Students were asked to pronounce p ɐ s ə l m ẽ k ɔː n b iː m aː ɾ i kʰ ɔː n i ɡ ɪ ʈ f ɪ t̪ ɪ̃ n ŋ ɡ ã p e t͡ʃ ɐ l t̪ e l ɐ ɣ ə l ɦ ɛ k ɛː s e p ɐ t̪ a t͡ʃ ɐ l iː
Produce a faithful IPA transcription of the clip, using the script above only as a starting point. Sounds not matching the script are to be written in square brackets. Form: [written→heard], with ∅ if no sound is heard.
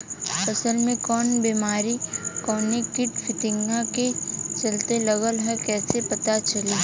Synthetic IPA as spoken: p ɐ s ə l m ẽ k ɔː n b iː m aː ɾ i [kʰ→k] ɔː n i [ɡ→k] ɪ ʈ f ɪ t̪ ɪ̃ [n→∅] ŋ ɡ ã [p→k] e t͡ʃ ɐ l t̪ e l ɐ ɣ ə l ɦ ɛ k ɛː s e p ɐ t̪ a t͡ʃ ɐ l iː